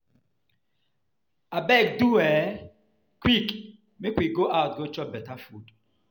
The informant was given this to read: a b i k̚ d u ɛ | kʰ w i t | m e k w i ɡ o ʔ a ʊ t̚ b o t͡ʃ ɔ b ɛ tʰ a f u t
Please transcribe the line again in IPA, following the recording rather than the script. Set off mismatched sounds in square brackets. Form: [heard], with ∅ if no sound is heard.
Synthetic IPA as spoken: a b [ɛ] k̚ d u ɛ | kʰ w i [k] | m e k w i ɡ o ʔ a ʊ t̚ [ɡ] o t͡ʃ ɔ b ɛ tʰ a f u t